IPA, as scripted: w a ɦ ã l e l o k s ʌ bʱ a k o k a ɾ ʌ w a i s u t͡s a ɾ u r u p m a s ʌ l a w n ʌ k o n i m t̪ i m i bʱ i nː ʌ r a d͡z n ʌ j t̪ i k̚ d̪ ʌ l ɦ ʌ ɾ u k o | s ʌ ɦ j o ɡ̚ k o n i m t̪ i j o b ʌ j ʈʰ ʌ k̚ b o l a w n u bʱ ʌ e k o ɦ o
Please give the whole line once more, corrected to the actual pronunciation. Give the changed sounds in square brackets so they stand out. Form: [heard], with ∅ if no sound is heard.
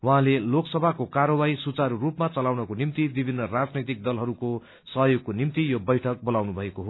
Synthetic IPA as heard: w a ɦ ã l e l o k s ʌ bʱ a k o k a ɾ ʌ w a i s u t͡s a ɾ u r u p m a [t͡s] ʌ l a w n ʌ k o n i m t̪ i [b] i bʱ i nː ʌ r a d͡z n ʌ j t̪ i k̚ d̪ ʌ l ɦ ʌ ɾ u k o | s ʌ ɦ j o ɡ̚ k o n i m t̪ i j o b ʌ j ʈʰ ʌ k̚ b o l a w n u bʱ ʌ e k o ɦ o